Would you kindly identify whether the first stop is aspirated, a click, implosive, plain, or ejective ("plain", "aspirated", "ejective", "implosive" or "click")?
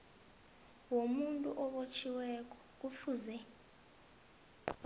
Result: ejective